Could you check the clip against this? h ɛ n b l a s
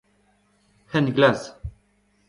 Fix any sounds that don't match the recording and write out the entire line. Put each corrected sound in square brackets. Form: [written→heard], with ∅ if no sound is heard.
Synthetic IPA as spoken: h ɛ n [b→ɡ] l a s